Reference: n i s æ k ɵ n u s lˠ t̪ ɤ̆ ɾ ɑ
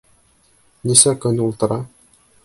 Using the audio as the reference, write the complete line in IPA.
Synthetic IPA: n i s æ k ɵ n u lˠ t̪ ɤ̆ ɾ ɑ